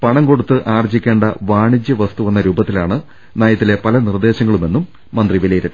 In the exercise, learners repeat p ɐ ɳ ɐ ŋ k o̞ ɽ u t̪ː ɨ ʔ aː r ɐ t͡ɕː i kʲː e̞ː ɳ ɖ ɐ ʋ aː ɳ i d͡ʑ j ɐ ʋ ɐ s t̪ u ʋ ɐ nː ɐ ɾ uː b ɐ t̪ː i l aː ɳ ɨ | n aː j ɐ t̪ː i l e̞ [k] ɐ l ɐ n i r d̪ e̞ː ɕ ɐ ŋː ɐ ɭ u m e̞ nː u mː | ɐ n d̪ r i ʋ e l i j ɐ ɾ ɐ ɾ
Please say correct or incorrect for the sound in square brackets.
incorrect